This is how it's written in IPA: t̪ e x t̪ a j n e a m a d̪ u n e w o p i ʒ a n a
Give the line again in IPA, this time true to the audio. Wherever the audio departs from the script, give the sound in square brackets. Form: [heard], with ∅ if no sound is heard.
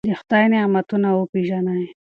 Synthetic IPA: [d̪] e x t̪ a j n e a m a [t̪] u n [a] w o p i ʒ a n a